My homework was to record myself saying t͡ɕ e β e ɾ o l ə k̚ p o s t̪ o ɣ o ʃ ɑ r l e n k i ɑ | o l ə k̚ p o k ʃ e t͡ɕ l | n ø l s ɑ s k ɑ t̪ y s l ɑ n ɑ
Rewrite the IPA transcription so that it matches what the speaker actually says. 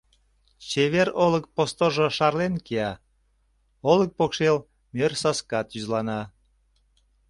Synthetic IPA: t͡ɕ e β e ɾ o l ə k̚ p o s t̪ o ʒ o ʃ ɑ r l e n k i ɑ | o l ə k̚ p o k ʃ e l | m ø r s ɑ s k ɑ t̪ y z l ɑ n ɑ

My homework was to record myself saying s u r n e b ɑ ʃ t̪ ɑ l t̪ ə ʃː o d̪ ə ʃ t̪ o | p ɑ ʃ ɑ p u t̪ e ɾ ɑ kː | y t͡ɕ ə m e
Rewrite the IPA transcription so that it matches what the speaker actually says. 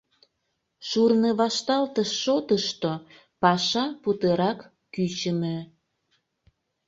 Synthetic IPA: ʃ u r n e β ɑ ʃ t̪ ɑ l t̪ ə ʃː o t̪ ə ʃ t̪ o | p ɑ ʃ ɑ p u t̪ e ɾ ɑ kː | y t͡ɕ ə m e

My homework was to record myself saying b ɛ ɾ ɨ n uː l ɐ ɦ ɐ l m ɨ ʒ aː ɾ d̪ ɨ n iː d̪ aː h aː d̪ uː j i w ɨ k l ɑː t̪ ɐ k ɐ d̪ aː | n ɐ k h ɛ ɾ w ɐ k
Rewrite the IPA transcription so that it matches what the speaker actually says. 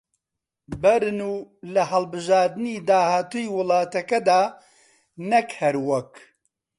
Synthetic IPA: b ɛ ɾ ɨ n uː l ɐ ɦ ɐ l b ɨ ʒ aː ɾ d̪ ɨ n iː d̪ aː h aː t̪ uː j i w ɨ l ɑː t̪ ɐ k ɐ d̪ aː | n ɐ k h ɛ ɾ w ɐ k

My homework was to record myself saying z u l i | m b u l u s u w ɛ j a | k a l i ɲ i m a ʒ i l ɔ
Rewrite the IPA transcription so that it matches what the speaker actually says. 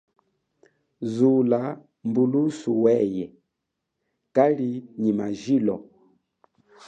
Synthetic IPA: z u l a | m b u l u s u w ɛ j ɛ | k a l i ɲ i m a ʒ i l ɔ

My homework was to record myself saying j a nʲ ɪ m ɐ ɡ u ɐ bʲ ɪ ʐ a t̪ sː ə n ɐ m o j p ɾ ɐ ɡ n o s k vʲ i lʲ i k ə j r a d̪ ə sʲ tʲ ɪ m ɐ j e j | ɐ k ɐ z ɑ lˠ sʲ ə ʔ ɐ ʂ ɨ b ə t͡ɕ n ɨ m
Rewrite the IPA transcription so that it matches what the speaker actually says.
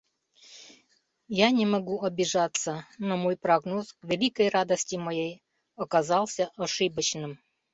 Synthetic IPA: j a nʲ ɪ m ɐ ɡ u ɐ bʲ ɪ ʐ a t̪ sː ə n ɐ m o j p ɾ ɐ ɡ n o s k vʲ ɪ lʲ i k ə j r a d̪ ə sʲ tʲ ɪ m ɐ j e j | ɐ k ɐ z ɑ lˠ sʲ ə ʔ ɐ ʂ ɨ b ə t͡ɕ n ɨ m

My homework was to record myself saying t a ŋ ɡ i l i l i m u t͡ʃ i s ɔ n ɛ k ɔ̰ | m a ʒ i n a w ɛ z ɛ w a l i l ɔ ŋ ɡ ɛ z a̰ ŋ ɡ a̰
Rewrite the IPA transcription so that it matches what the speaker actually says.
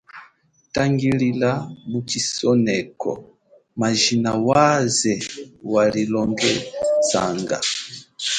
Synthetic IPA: t a ŋ ɡ i l i l a m u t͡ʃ i s ɔ n ɛ k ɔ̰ | m a ʒ i n a w a z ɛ w a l i l ɔ ŋ ɡ ɛ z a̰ ŋ ɡ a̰

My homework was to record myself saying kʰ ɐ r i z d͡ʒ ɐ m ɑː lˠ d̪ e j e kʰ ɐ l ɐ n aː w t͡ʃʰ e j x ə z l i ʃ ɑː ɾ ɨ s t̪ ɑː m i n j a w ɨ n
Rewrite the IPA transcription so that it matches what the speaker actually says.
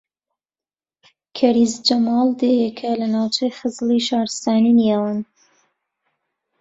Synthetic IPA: kʰ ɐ ɾ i z d͡ʒ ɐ m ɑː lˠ d̪ e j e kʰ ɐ l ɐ n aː w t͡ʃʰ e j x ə z l i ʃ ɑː ɾ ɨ s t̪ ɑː n i n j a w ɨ n

